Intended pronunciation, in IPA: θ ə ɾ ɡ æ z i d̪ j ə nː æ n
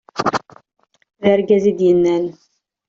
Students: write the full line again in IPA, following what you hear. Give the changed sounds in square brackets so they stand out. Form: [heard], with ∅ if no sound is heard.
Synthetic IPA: [ð] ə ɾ ɡ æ z i d̪ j ə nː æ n